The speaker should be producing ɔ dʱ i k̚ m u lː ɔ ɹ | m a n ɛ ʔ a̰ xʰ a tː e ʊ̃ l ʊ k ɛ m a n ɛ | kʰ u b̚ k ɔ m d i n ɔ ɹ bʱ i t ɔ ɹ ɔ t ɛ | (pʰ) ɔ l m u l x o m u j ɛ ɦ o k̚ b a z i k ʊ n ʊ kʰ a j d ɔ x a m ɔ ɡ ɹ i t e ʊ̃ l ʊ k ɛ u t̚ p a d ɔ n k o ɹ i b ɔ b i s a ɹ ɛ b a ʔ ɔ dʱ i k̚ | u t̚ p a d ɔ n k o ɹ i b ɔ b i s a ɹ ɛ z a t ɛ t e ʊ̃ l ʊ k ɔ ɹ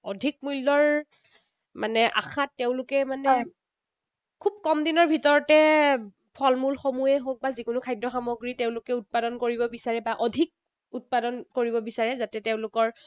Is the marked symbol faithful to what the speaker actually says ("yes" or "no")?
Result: yes